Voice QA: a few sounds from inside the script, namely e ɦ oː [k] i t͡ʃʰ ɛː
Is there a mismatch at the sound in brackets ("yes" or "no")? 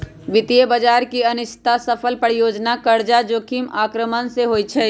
yes